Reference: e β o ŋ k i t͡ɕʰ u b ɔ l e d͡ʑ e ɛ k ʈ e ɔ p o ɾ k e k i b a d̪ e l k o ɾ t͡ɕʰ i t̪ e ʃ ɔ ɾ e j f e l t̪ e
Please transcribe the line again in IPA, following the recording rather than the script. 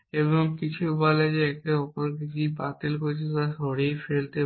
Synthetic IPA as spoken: e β o ŋ k i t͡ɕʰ u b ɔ l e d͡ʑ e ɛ k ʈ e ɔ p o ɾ k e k i b a t̪ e l k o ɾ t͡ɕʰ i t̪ a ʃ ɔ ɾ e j f e l t̪ e